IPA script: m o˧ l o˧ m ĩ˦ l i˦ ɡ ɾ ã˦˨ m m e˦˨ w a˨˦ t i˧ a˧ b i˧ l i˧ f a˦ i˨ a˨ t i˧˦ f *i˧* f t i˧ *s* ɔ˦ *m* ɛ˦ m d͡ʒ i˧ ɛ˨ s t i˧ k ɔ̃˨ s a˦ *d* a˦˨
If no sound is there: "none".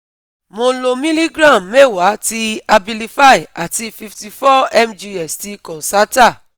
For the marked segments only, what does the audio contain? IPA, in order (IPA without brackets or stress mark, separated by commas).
i˧, f, none, t